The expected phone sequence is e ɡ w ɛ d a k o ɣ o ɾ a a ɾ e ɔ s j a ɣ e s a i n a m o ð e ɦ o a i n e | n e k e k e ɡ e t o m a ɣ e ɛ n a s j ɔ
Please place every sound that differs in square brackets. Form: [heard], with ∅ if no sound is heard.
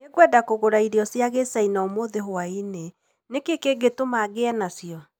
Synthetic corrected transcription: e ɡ w ɛ d a k o ɣ o ɾ a [i] ɾ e ɔ s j a ɣ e s a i n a m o ð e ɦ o a i n e | n e k e k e ɡ e t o m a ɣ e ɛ n a s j ɔ